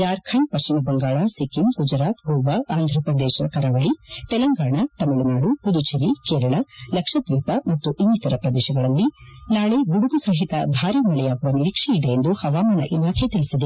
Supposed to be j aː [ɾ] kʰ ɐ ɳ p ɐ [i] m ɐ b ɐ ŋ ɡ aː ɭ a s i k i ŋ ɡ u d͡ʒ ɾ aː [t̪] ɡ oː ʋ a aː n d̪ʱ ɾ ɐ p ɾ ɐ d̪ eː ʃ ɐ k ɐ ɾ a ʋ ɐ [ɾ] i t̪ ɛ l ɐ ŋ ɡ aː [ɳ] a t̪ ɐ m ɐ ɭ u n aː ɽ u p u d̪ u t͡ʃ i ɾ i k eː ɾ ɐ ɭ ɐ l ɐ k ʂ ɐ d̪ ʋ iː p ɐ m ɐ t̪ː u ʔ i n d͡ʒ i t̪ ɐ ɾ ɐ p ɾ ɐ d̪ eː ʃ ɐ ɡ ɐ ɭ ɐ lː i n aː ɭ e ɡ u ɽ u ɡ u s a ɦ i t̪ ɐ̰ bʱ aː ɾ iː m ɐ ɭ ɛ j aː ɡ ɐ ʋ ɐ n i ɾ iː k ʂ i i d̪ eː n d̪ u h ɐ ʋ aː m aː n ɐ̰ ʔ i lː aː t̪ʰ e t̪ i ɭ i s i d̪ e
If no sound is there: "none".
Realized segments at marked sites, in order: ɾ, i, t̪, ɭ, ɳ

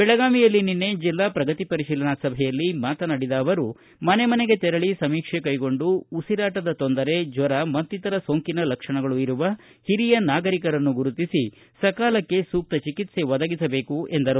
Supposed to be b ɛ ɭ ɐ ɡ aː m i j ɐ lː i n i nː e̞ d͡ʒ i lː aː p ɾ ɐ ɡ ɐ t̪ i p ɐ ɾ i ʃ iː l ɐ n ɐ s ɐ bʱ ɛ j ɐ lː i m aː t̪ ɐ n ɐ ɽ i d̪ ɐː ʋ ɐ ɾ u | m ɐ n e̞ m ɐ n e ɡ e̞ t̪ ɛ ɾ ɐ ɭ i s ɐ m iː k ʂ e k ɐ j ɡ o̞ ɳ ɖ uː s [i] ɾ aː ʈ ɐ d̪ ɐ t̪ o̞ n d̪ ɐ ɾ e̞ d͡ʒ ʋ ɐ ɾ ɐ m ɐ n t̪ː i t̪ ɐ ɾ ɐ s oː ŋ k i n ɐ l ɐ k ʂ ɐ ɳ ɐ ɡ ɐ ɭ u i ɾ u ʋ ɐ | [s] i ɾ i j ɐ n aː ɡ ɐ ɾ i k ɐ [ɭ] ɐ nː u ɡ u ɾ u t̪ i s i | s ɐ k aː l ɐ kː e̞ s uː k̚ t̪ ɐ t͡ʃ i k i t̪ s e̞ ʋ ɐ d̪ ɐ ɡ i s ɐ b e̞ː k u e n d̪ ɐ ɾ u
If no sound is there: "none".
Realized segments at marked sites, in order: i, h, ɾ

